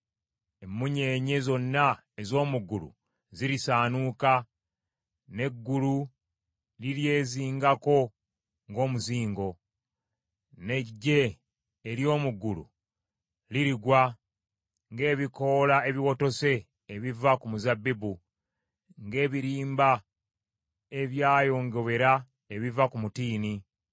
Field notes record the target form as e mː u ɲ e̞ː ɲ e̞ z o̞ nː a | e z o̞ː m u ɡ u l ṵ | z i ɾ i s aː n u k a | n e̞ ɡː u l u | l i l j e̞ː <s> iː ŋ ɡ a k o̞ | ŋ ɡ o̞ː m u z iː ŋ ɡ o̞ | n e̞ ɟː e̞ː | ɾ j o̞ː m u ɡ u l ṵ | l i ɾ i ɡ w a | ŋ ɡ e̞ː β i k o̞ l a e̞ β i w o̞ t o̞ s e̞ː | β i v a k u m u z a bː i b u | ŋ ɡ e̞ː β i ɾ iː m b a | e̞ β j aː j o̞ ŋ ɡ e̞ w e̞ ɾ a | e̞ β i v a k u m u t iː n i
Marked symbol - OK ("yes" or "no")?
no